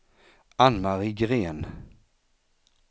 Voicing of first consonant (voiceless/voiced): voiced